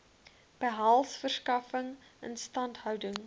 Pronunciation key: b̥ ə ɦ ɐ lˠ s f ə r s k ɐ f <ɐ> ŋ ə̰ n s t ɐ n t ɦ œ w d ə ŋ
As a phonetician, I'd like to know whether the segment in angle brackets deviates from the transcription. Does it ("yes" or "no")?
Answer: yes